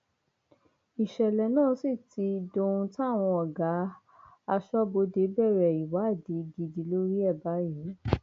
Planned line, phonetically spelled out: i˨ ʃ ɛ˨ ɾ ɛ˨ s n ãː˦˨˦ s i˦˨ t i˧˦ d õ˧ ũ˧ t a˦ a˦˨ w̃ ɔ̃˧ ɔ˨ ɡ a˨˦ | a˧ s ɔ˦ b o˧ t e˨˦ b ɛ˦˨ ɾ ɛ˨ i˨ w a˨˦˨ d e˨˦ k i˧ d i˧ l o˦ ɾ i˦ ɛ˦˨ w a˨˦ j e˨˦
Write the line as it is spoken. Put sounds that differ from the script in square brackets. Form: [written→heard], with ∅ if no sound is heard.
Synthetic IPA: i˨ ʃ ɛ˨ [ɾ→l] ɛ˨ [s→∅] n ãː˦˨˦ s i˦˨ t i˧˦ d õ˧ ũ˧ t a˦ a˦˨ w̃ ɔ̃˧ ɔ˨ ɡ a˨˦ | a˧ [s→ʃ] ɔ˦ b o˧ [t→d] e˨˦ b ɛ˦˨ ɾ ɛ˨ i˨ w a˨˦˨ d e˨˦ [k→ɡ] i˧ d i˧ l o˦ ɾ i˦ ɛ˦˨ [w→b] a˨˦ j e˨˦